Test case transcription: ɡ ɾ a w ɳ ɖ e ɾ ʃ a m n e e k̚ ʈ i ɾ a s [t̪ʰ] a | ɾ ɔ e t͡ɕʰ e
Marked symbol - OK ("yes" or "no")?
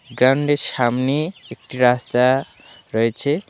no